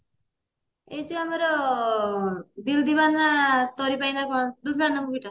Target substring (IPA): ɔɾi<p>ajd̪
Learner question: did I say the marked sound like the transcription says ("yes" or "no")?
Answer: yes